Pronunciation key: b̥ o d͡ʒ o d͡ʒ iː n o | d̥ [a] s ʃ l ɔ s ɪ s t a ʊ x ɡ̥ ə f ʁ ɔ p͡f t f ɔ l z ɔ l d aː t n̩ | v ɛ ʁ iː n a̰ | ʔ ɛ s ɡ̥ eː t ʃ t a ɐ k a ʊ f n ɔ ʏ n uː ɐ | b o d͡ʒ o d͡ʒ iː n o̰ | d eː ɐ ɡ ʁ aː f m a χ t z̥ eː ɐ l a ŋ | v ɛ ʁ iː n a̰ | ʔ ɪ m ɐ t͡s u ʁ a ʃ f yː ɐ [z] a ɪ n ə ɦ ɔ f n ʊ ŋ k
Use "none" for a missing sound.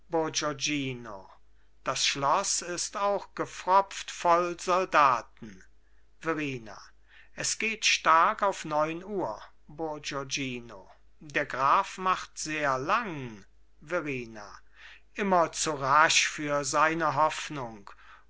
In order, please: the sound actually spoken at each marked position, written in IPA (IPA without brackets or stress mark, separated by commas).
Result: a, z